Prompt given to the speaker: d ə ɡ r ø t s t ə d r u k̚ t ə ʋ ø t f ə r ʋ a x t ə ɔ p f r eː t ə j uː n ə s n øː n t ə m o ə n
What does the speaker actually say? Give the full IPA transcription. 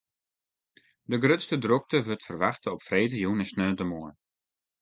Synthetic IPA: d ə ɡ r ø t s t ə d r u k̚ t ə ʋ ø t f ə r ʋ a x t ə ɔ p f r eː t ə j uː n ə s n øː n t ə m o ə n